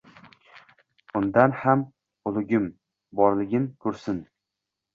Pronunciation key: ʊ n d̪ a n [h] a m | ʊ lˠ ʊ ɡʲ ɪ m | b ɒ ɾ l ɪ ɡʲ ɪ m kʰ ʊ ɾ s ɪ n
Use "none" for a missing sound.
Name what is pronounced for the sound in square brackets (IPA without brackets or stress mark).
h